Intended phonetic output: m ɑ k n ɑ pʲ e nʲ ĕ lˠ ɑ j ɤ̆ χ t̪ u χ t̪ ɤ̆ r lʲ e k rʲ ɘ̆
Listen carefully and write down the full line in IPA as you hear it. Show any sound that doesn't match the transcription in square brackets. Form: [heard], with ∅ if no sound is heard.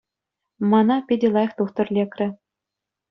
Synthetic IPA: m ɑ [∅] n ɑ pʲ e [dʲ] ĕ lˠ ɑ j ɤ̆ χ t̪ u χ t̪ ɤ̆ r lʲ e k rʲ ɘ̆